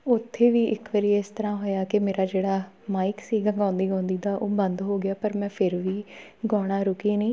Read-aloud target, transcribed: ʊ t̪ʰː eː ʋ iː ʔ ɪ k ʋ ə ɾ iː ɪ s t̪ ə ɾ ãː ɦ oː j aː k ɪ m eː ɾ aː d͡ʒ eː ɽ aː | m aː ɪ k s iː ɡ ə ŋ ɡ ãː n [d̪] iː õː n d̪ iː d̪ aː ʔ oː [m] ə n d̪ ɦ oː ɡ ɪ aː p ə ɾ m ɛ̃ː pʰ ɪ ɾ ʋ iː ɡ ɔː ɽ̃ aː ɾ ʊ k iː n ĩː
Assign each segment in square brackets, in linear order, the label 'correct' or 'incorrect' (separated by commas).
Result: correct, incorrect